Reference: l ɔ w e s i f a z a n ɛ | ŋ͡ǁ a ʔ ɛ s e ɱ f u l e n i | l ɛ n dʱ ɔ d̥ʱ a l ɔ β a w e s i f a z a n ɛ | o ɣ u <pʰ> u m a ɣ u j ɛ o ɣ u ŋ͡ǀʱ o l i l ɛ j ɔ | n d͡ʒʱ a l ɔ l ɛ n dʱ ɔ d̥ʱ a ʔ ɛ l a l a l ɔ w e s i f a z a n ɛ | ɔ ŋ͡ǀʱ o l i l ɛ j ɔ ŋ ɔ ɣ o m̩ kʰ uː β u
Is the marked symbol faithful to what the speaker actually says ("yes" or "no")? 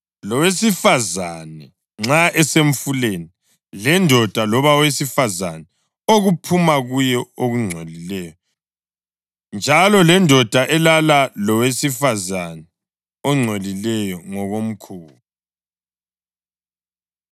yes